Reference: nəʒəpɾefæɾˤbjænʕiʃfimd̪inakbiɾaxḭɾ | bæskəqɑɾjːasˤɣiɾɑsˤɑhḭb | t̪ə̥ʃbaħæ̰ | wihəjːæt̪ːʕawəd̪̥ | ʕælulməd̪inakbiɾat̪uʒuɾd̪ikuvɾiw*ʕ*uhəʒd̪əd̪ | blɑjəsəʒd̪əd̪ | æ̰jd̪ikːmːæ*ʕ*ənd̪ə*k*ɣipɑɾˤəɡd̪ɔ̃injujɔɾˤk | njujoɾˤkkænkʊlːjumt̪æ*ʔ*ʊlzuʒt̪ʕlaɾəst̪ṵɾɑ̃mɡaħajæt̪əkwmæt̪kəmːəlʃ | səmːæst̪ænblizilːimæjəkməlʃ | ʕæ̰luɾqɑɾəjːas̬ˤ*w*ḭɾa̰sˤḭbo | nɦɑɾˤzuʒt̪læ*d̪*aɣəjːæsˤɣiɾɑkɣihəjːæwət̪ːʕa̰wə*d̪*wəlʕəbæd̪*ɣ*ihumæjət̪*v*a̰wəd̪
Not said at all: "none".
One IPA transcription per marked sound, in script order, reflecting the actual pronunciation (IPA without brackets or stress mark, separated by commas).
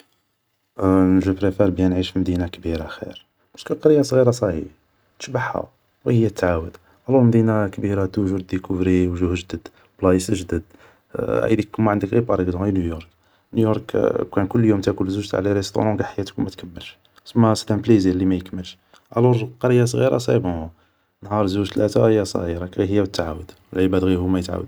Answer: ʒ, ʕ, k, k, ɣ, t̪, d̪, ɣ, ʕ